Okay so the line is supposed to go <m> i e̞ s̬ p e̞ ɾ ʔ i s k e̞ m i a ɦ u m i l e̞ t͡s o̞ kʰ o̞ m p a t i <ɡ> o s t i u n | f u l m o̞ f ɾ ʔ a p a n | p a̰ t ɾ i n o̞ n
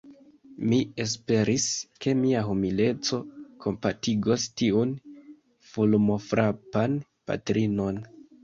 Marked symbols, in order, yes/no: yes, yes

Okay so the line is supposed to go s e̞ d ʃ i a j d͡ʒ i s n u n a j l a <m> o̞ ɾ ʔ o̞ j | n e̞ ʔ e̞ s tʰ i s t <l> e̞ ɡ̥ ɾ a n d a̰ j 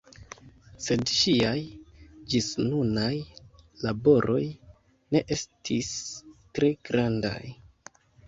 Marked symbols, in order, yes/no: no, no

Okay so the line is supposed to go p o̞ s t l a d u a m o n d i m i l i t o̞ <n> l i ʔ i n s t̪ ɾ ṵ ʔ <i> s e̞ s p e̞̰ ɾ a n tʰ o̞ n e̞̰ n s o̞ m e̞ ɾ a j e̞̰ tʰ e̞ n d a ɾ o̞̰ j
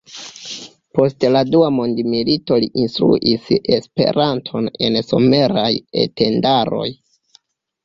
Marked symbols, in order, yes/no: no, yes

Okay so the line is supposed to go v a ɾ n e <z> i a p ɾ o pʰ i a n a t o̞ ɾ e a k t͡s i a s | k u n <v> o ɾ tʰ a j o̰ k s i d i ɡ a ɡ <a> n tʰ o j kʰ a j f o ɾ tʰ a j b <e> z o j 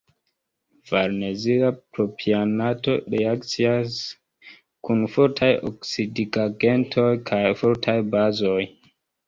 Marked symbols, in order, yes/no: yes, no, no, no

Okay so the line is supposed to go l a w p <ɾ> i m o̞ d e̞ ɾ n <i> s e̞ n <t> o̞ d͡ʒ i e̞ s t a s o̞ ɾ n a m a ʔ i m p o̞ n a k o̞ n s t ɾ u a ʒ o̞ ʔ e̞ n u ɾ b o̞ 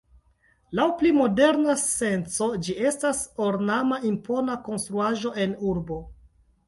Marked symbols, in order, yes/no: no, no, no

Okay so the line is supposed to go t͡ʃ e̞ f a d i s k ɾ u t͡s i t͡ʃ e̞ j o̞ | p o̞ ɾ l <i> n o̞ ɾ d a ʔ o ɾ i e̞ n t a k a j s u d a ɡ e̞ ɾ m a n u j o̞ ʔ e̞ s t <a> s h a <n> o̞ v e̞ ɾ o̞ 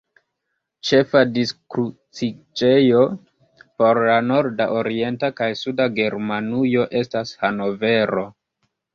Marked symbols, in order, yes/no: no, yes, yes

